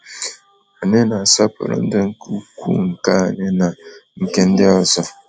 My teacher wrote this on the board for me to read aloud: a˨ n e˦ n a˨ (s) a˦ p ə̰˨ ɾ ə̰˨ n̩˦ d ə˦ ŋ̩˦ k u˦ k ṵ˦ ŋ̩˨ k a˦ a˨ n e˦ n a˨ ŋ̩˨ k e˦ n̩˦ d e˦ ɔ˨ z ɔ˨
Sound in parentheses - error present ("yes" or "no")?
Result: no